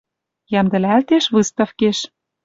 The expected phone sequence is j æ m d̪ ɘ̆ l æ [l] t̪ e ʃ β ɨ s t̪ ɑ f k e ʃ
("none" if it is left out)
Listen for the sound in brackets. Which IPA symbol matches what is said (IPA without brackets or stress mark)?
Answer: l